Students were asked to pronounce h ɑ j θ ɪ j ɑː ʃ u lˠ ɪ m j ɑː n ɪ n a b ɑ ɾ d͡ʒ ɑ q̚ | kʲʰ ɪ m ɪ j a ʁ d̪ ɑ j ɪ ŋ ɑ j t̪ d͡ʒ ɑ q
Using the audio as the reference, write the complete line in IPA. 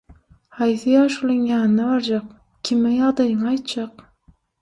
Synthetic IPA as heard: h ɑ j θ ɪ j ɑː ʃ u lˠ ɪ ŋ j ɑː n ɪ n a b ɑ ɾ d͡ʒ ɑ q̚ | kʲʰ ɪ m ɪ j ɑ ʁ d̪ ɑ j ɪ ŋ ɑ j t̪ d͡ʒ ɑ q